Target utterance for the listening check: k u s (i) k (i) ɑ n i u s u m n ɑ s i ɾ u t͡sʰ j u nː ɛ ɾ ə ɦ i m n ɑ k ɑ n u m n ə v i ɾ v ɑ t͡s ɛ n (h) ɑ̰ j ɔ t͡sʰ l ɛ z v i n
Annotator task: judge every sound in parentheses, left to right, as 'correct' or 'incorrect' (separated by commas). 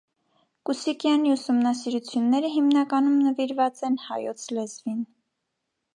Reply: correct, incorrect, correct